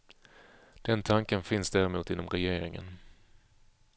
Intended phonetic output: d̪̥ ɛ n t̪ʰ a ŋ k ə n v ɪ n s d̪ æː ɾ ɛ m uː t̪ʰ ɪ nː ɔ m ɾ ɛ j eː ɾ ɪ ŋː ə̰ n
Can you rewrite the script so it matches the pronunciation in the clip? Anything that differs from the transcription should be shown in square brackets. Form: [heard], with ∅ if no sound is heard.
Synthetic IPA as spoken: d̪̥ ɛ n t̪ʰ a ŋ k ə n [f] ɪ n s d̪ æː ɾ ɛ m uː [t̪] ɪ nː ɔ m ɾ ɛ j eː ɾ ɪ [ŋ] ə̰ n